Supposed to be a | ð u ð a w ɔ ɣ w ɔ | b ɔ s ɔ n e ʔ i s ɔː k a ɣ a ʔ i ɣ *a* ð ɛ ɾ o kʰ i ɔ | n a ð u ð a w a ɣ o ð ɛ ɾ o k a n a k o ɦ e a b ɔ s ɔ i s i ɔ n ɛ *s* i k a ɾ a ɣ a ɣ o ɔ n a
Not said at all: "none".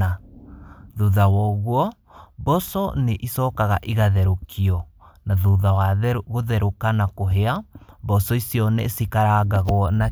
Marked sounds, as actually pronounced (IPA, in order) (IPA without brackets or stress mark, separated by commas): a, s